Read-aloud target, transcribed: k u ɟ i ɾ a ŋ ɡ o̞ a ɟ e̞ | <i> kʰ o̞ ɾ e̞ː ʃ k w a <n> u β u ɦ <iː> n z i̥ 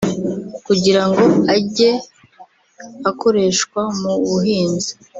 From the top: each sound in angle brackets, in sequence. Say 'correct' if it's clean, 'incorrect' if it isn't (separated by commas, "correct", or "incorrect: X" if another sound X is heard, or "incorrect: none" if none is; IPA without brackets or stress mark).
incorrect: a, incorrect: m, correct